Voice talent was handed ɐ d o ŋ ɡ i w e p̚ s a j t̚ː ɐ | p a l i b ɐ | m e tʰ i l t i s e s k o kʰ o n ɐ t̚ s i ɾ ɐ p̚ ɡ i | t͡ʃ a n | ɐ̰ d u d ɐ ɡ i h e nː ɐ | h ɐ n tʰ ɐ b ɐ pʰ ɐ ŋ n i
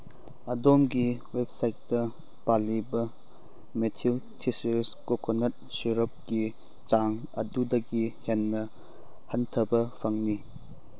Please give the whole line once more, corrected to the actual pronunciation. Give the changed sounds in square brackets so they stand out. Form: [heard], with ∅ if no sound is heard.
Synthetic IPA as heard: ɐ d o [m] ɡ i w e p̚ s a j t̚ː ɐ | p a l i b ɐ | m e tʰ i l [tʰ] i s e s k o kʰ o n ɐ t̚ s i ɾ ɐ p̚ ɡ i | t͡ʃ a [ŋ] | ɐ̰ d u d ɐ ɡ i h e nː ɐ | h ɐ n tʰ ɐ b ɐ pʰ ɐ ŋ n i